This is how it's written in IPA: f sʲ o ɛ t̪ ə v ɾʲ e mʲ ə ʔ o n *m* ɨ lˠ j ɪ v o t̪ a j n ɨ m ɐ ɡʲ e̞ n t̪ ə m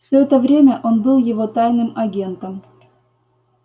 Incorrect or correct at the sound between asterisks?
incorrect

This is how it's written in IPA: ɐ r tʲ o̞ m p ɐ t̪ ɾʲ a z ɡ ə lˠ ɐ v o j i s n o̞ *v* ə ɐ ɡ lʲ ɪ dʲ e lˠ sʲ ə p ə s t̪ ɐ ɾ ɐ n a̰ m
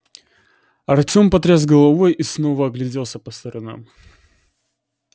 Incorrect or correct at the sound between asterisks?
correct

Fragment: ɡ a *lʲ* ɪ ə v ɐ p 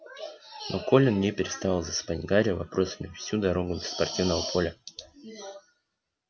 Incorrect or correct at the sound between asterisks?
incorrect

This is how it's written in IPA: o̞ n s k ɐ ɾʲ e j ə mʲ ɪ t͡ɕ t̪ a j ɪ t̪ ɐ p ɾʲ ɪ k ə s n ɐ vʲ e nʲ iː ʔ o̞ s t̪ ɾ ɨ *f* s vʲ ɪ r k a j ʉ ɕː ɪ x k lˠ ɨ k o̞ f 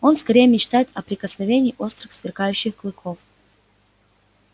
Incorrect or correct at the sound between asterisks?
incorrect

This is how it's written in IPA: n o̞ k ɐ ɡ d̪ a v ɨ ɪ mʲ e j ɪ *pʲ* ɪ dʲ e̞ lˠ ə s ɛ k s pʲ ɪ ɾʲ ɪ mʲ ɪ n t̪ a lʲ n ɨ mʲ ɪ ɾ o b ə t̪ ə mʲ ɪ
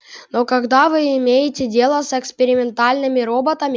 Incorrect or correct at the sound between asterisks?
incorrect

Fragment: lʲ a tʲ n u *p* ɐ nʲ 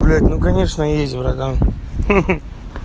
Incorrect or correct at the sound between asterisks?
incorrect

